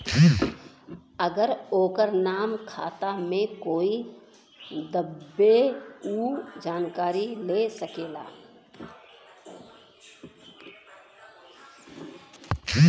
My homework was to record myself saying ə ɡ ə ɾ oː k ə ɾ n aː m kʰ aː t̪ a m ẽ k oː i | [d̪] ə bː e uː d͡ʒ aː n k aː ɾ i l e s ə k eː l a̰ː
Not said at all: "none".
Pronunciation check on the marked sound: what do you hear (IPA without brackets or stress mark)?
d̪